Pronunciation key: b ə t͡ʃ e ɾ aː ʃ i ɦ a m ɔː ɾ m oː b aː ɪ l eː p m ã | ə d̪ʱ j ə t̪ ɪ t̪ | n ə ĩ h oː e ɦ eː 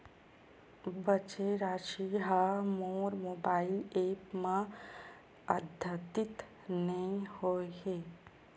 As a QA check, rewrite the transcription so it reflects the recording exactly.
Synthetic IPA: b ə t͡ʃ e ɾ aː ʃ i ɦ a m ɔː ɾ m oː b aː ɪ l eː p m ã | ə d̪ʱ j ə t̪ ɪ t̪ | n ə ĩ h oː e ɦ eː